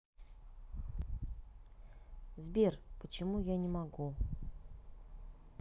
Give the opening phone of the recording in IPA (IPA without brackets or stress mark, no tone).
z